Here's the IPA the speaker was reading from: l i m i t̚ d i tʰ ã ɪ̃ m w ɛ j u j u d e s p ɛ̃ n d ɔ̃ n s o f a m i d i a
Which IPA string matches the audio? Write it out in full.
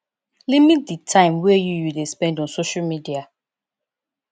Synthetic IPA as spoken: l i m i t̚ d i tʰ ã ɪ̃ m w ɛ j u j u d e s p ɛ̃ n d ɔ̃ n s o ʃ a m i d i a